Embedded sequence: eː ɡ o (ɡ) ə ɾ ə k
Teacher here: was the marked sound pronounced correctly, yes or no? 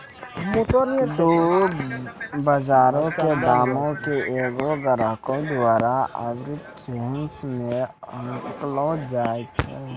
yes